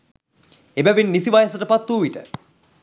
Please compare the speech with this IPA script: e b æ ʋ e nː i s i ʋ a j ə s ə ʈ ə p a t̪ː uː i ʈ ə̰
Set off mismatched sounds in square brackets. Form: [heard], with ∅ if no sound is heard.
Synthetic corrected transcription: e b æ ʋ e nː i s i ʋ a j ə s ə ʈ ə p a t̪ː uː i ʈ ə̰